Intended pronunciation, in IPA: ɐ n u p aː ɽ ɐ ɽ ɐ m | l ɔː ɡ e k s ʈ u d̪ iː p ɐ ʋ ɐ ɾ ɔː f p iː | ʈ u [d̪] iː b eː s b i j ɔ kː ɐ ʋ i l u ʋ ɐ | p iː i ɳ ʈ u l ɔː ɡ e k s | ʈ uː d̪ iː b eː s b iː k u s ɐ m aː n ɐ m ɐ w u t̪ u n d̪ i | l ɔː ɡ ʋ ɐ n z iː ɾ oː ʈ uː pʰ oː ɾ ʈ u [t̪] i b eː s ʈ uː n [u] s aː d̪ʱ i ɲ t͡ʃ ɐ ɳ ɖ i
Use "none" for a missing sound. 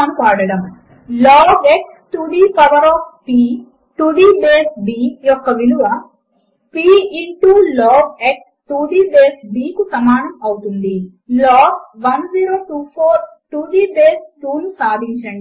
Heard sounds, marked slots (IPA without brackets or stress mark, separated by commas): d̪, d̪, u